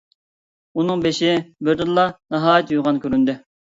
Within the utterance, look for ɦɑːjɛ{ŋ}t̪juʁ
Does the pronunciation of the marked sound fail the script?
yes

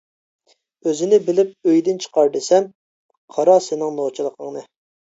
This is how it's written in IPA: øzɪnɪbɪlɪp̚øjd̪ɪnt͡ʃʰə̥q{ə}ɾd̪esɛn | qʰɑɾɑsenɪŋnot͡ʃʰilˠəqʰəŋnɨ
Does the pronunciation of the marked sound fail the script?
yes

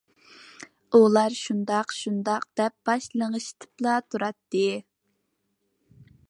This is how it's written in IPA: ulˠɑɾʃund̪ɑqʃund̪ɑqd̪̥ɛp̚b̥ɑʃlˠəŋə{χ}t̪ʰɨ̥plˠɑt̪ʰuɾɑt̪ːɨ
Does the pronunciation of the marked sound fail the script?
yes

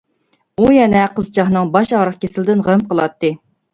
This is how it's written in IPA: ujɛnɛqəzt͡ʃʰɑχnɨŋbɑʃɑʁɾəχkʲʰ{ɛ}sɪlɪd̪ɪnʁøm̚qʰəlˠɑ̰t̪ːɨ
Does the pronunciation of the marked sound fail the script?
yes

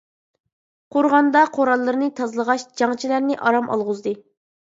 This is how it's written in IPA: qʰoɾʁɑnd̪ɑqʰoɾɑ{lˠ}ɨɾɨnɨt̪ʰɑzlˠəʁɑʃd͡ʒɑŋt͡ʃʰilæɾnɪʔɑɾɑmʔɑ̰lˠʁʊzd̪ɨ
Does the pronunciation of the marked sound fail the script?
yes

